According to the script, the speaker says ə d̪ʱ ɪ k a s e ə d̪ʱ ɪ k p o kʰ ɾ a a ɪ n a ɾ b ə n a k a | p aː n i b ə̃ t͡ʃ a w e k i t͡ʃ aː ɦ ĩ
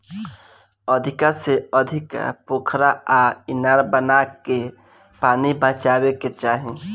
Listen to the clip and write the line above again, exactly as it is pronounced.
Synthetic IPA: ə d̪ʱ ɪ k a s e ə d̪ʱ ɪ k p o kʰ ɾ a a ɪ n a ɾ b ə n a k e | p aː n i b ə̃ t͡ʃ a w e k e t͡ʃ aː ɦ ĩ